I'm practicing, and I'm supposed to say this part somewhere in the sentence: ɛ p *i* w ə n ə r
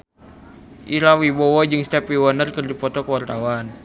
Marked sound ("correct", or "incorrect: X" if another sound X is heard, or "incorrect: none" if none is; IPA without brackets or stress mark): correct